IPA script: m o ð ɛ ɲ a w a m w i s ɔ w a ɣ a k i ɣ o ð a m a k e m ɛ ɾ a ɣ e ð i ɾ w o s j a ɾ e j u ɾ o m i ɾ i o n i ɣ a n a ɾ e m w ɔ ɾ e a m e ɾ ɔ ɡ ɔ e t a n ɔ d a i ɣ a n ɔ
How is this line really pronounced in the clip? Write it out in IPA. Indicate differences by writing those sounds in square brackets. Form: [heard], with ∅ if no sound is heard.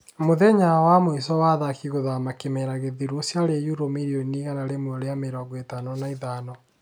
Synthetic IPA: m o ð ɛ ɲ a w a m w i s ɔ w a [ð] a k i ɣ o ð a m a k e m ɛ ɾ a ɣ e ð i ɾ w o s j a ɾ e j u ɾ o m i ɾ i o n i ɣ a n a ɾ e m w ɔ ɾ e a m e ɾ ɔ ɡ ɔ e t a n ɔ [n] a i [ð] a n ɔ